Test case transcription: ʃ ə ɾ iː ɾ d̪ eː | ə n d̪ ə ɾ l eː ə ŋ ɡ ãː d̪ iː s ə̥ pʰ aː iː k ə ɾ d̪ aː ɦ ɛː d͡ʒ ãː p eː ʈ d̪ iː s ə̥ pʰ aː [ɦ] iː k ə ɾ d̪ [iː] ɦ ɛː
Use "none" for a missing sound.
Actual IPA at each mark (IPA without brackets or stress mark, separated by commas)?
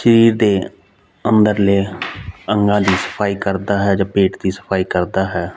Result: none, aː